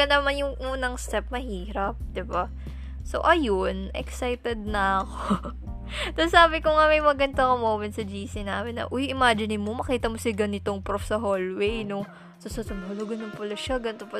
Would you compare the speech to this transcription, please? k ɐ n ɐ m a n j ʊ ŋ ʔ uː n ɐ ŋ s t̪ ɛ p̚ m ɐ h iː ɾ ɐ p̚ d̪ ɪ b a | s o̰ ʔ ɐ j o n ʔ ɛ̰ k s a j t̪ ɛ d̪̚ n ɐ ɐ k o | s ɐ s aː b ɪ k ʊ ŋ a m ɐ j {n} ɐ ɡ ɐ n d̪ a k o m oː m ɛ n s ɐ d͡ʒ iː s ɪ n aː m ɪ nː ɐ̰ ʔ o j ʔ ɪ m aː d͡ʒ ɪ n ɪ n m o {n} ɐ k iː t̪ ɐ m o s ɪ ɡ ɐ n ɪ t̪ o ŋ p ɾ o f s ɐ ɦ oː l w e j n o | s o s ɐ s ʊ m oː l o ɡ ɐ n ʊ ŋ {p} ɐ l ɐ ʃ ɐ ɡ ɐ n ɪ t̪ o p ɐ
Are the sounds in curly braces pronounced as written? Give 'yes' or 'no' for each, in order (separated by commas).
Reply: no, no, yes